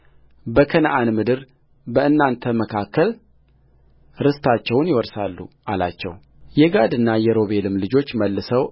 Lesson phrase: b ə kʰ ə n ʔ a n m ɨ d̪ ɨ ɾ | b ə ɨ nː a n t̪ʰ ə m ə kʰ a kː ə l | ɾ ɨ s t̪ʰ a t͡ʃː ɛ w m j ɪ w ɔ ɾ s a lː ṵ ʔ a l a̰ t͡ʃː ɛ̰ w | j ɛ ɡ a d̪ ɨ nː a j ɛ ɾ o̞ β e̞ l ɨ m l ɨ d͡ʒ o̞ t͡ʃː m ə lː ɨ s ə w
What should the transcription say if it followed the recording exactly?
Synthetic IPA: b ə kʰ ə n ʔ a n m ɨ d̪ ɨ ɾ | b ə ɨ nː a n t̪ʰ ə m ə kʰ a kː ə l | ɾ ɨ s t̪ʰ a t͡ʃː ɛ w n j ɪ w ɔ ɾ s a lː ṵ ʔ a l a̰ t͡ʃː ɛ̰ w | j ɛ ɡ a d̪ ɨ nː a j ɛ ɾ o̞ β e̞ l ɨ m l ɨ d͡ʒ o̞ t͡ʃː m ə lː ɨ s ə w